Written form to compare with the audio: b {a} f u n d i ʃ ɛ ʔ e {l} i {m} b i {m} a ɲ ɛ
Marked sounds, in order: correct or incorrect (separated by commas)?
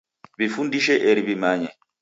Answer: incorrect, incorrect, incorrect, correct